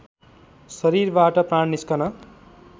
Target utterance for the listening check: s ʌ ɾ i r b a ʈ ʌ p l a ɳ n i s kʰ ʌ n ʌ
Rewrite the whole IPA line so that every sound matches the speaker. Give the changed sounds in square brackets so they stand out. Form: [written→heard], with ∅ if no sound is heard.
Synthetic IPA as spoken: s ʌ ɾ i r b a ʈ ʌ p [l→r] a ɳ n i s [kʰ→k] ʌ n ʌ